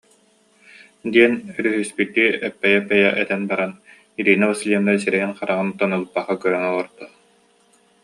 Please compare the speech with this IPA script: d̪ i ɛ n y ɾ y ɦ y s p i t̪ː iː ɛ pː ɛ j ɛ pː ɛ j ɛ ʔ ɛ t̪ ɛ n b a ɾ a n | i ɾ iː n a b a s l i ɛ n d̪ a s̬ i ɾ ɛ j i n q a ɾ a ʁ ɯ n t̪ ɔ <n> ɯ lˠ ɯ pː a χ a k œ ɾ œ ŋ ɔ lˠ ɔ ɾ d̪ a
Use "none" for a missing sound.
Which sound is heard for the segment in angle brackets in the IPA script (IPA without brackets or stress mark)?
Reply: n